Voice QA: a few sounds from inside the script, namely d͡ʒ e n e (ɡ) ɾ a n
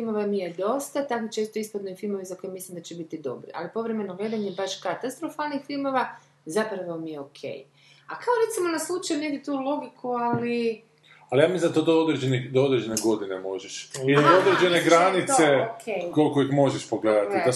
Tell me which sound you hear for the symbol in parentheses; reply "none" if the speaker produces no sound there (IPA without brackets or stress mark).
ɡ